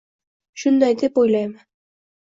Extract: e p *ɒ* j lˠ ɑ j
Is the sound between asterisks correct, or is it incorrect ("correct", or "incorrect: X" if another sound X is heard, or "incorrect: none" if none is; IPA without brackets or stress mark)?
incorrect: o